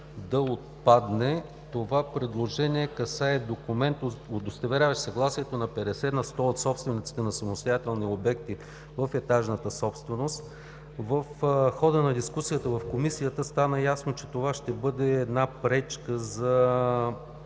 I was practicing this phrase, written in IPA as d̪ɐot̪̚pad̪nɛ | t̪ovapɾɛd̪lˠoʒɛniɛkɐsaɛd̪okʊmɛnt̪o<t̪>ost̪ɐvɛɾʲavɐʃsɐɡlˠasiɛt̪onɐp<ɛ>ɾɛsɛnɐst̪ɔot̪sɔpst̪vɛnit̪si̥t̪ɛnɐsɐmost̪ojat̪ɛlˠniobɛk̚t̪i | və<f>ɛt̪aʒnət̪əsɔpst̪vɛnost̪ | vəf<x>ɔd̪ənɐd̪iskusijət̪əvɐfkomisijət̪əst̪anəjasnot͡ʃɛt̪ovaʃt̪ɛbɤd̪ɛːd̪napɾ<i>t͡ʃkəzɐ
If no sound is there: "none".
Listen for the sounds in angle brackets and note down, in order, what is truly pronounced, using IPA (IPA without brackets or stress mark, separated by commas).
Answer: d̪, ɛ, f, x, ɛ